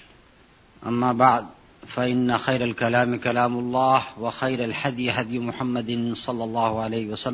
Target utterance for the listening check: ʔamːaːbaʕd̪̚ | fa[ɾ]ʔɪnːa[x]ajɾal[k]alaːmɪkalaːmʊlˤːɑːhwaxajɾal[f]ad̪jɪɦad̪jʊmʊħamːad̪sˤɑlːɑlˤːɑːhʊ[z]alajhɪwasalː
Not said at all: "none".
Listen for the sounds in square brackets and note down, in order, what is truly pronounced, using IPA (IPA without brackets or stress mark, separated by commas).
none, x, k, ħ, ʕ